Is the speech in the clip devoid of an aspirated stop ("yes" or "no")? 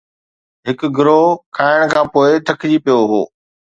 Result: no